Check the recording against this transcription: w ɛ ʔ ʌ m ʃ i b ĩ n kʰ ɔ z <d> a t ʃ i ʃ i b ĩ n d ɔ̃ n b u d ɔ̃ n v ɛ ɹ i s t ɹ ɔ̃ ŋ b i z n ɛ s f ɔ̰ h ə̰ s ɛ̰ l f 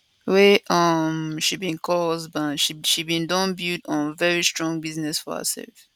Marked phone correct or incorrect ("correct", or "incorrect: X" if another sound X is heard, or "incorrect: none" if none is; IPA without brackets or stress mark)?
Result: incorrect: b